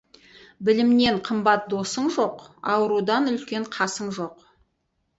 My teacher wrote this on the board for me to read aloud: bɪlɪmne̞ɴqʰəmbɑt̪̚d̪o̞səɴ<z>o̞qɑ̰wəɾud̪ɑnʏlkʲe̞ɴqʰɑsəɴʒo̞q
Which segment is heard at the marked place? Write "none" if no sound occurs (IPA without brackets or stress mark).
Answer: ʒ